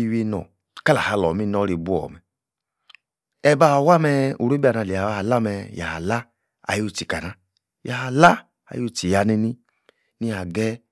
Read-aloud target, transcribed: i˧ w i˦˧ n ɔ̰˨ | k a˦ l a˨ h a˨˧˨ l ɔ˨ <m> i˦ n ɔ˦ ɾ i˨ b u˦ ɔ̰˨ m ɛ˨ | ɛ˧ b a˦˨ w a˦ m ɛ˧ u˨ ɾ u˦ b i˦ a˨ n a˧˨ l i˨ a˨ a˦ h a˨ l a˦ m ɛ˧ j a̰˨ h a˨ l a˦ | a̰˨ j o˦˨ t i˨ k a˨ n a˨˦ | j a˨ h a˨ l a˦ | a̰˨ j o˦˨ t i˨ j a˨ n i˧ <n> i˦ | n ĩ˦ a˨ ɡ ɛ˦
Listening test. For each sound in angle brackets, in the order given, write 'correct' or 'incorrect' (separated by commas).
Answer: correct, correct